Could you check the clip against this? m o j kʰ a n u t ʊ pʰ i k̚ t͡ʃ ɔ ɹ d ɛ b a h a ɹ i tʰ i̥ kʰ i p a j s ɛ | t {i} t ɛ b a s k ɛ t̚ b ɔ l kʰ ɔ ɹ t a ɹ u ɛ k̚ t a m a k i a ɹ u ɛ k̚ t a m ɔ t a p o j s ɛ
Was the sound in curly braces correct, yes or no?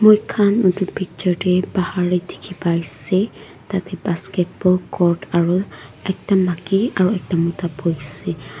no